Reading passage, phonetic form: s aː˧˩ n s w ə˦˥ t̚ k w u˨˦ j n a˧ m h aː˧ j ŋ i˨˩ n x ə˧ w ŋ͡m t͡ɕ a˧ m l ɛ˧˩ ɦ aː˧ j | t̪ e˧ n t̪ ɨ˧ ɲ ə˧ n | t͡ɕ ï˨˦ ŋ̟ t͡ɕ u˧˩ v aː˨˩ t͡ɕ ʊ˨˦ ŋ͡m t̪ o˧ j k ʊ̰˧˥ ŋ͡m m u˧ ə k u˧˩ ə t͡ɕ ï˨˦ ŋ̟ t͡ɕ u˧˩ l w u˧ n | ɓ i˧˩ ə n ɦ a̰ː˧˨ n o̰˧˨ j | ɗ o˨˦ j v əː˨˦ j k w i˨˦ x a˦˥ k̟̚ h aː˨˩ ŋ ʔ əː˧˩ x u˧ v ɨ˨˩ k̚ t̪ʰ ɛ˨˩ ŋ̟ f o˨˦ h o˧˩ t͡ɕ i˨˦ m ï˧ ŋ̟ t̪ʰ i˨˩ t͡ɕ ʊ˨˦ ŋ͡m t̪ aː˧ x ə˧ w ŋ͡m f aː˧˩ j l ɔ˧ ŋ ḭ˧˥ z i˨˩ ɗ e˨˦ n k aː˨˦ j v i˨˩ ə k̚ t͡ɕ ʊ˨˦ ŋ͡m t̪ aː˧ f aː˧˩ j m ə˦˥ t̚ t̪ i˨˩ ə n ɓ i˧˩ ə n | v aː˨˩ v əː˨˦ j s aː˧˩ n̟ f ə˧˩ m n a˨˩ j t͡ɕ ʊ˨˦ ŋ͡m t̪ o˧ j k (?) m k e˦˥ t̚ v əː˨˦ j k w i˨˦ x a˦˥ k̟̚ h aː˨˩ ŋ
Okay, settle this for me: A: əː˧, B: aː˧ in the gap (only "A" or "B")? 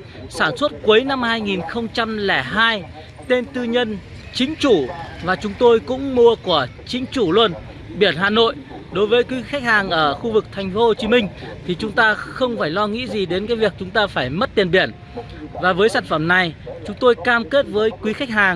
B